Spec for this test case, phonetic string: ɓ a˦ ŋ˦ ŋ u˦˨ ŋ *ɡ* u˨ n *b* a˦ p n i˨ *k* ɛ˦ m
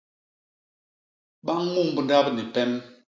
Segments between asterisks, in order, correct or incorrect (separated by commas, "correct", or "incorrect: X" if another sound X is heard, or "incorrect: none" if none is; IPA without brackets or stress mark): incorrect: b, incorrect: d, incorrect: p